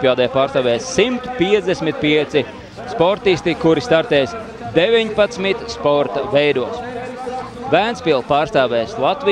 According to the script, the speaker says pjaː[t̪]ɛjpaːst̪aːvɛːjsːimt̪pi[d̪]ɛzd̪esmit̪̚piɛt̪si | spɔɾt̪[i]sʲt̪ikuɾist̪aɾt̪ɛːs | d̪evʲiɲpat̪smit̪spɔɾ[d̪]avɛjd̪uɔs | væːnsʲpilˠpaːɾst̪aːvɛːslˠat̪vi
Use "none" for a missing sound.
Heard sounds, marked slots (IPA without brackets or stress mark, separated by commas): d̪, none, i, t̪